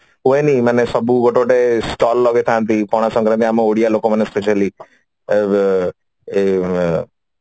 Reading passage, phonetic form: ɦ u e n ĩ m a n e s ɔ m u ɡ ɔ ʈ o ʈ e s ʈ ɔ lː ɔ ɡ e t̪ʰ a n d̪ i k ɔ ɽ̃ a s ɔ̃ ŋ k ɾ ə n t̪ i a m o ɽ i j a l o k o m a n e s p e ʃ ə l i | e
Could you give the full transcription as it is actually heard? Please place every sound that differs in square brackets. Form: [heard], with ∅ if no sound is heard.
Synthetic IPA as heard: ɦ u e n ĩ m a n e s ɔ [b] u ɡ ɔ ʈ o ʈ e s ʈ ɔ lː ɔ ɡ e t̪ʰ a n [t̪] i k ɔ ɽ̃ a s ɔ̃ ŋ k ɾ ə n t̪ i a m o ɽ i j a l o k o m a n e s p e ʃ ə l i | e